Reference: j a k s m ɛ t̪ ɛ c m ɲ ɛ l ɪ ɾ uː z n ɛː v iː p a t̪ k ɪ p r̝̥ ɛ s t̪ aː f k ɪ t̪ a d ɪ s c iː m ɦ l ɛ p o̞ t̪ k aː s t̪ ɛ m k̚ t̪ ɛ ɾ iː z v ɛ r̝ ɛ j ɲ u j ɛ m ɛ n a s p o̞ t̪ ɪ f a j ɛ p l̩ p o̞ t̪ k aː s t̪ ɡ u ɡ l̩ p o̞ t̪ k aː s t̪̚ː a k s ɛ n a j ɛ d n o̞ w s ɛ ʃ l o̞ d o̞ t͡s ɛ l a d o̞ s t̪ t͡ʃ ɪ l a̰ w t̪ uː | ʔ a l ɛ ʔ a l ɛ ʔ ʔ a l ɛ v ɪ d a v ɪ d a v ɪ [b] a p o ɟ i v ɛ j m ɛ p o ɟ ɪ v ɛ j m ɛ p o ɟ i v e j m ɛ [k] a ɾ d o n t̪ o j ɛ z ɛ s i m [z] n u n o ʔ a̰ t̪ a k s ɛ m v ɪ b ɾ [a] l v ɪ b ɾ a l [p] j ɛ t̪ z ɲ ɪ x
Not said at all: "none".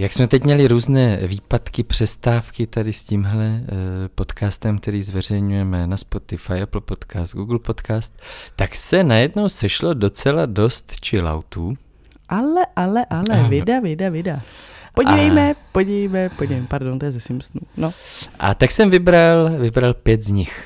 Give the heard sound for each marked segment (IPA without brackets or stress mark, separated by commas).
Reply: d, p, s, a, p